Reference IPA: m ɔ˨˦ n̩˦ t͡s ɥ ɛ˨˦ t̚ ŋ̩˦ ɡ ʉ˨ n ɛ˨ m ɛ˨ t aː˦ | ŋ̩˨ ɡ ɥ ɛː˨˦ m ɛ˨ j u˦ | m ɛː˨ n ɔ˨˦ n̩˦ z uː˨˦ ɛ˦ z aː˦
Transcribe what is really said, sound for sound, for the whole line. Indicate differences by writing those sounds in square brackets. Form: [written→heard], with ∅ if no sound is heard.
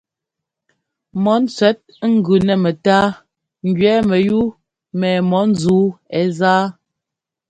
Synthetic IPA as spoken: m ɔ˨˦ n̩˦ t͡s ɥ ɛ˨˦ t̚ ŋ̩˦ ɡ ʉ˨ n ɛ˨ m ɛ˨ t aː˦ | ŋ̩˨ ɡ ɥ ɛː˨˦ m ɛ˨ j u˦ | m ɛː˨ [n→m] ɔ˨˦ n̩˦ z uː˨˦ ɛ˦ z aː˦

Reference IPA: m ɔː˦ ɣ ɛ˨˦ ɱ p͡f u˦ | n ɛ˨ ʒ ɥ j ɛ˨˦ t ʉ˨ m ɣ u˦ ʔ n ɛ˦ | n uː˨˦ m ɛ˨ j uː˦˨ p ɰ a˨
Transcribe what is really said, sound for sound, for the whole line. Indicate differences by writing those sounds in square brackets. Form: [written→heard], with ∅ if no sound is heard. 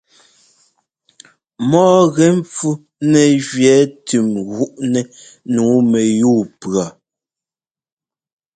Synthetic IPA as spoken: m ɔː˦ ɣ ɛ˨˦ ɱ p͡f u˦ | n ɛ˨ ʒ ɥ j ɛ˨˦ t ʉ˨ m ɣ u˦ ʔ n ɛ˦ | n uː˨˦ m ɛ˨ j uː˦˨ p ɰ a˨

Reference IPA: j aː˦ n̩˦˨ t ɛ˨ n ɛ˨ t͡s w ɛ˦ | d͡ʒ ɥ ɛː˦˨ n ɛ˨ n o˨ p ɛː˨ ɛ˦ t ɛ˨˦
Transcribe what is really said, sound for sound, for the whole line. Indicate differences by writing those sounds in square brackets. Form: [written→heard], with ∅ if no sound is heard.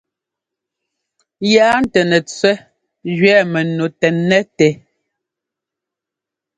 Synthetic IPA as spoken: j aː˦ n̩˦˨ t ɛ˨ n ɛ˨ t͡s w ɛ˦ | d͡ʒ ɥ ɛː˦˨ [n→m] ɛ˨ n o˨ [p→t] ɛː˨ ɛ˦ t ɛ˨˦

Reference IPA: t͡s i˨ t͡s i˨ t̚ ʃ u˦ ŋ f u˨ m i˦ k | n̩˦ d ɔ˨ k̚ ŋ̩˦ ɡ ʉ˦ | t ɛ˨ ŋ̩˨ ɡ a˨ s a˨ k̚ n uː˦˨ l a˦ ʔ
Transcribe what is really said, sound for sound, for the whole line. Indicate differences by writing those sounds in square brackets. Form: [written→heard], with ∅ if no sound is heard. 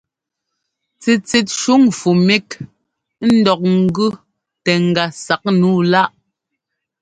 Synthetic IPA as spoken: t͡s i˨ t͡s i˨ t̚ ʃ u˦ ŋ f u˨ m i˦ k | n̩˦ d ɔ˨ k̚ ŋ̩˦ ɡ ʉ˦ | t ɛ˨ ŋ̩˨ ɡ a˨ s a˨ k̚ n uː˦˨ l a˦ ʔ

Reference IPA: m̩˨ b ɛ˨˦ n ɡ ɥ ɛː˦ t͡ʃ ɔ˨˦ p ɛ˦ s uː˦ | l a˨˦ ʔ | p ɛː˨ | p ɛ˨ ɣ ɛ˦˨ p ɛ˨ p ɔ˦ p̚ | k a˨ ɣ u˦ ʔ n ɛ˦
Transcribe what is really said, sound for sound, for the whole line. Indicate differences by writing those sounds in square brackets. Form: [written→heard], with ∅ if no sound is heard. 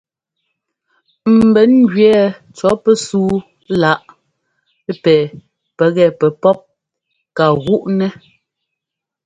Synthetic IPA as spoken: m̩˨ b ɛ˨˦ n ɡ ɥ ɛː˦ t͡ʃ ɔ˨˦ p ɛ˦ s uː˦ | l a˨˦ ʔ | p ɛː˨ | p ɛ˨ ɣ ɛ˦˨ p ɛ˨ p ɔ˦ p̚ | k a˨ ɣ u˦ ʔ n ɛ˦

